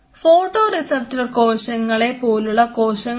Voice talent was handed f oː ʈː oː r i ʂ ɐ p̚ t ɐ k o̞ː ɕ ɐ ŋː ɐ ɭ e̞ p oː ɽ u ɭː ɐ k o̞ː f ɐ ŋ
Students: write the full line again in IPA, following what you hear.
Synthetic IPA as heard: f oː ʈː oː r i s ɐ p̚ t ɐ k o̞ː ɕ ɐ ŋː ɐ ɭ e̞ p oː l u ɭː ɐ k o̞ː ɕ ɐ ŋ